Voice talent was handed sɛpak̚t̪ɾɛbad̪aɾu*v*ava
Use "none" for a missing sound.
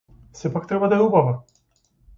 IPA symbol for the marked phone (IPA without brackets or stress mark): b